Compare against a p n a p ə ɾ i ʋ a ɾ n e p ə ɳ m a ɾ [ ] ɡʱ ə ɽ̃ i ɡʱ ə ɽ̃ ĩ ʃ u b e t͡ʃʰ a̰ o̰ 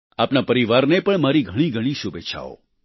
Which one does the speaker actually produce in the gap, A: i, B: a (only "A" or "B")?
A